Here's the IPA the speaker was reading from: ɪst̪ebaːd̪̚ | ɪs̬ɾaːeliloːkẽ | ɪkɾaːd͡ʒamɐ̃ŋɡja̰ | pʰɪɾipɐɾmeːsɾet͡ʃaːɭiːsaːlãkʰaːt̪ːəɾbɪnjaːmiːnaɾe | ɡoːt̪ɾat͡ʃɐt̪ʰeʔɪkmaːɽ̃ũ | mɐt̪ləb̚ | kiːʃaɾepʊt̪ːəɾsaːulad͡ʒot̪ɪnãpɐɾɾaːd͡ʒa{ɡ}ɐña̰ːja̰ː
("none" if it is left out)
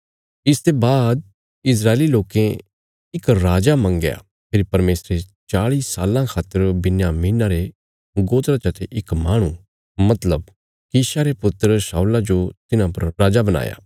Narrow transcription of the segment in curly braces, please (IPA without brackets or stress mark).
b